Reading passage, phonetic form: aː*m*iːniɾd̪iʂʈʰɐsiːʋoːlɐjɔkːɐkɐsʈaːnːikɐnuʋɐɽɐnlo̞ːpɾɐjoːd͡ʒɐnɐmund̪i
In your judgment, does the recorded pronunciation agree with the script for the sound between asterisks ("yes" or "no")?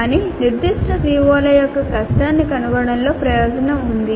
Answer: no